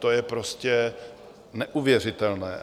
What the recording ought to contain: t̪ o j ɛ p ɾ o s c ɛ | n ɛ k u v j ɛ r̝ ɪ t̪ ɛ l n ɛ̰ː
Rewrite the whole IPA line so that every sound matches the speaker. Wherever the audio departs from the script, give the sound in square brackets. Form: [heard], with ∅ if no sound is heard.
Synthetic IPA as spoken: t̪ o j ɛ p ɾ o s c ɛ | n ɛ [ʔ] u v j ɛ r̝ ɪ t̪ ɛ l n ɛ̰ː